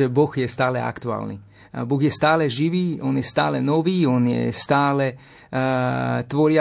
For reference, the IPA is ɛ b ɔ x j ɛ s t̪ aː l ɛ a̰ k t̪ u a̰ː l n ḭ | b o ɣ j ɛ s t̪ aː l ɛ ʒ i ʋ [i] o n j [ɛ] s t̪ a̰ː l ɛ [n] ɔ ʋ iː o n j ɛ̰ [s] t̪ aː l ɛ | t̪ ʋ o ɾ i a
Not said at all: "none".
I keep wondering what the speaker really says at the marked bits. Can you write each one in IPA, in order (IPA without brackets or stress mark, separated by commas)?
iː, ɛ, n, s